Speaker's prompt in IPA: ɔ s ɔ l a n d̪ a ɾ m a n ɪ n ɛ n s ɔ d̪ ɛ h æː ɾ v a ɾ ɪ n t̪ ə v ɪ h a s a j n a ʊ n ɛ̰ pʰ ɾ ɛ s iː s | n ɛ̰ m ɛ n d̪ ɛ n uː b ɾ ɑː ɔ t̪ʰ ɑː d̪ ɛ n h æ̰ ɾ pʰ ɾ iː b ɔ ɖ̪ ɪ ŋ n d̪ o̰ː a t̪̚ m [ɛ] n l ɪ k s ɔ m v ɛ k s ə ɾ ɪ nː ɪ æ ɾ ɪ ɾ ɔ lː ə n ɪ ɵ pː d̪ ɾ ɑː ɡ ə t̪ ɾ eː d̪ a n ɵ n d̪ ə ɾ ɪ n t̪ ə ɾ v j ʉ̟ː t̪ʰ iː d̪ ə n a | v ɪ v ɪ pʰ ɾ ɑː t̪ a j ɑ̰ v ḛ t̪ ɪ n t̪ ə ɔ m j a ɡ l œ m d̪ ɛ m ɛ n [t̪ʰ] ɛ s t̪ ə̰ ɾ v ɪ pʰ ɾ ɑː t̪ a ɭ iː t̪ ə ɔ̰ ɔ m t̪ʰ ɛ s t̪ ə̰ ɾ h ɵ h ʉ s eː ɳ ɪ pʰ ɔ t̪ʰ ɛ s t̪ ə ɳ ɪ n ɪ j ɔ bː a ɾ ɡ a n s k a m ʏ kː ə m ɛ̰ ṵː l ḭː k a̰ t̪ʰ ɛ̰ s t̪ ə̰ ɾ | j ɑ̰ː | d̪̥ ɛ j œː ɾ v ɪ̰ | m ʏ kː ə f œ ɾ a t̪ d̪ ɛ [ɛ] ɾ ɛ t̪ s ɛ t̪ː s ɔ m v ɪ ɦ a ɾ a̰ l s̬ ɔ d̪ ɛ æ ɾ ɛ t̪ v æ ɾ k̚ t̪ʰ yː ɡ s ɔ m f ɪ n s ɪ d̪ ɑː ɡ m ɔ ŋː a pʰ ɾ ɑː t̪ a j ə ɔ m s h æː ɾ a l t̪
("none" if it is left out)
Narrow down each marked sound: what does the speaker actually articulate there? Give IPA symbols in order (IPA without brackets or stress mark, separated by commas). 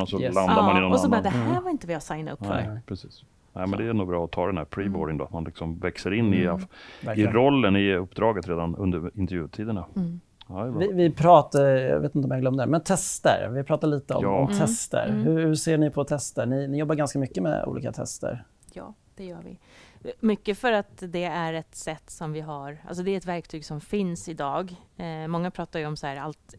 a, t̪ʰ, æ